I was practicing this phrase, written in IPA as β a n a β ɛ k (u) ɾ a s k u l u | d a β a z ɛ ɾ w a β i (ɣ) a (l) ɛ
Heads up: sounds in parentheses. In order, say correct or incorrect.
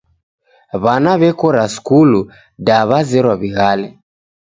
incorrect, correct, correct

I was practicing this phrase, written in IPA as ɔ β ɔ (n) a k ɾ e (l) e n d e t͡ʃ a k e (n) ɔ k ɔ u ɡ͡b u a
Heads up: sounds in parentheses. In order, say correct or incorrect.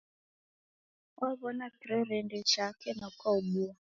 correct, incorrect, correct

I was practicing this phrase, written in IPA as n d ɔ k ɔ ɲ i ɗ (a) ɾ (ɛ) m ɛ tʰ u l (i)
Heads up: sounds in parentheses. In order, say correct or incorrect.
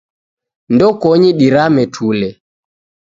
incorrect, incorrect, incorrect

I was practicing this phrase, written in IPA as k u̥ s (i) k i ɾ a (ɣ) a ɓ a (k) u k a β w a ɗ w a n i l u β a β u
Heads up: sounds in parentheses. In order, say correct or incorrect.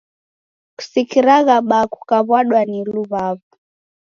correct, correct, correct

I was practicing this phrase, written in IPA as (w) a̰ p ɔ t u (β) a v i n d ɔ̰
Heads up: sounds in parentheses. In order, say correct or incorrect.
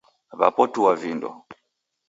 incorrect, incorrect

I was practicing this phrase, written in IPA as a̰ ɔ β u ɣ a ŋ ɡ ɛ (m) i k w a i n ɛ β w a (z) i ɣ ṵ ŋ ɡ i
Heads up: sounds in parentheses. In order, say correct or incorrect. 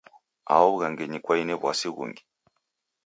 incorrect, incorrect

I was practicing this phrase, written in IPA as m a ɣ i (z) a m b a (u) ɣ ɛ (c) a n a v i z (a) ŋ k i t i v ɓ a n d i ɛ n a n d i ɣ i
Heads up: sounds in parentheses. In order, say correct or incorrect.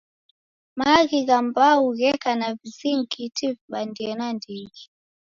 incorrect, correct, incorrect, incorrect

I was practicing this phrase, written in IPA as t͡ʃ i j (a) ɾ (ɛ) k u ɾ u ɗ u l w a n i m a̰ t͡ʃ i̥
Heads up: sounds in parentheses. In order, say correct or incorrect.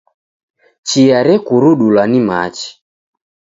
correct, correct

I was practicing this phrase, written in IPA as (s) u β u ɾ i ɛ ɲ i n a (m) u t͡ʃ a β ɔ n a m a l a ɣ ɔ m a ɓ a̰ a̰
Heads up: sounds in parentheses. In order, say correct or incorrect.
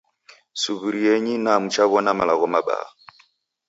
correct, correct

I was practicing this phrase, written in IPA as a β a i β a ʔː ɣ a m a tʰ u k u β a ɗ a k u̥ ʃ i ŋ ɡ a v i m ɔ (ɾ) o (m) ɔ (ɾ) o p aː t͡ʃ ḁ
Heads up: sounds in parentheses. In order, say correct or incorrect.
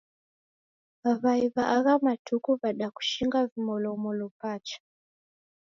incorrect, correct, incorrect

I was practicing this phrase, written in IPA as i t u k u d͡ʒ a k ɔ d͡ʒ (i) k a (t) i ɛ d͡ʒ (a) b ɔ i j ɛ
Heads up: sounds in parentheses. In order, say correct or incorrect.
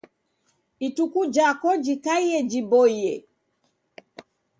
correct, incorrect, incorrect

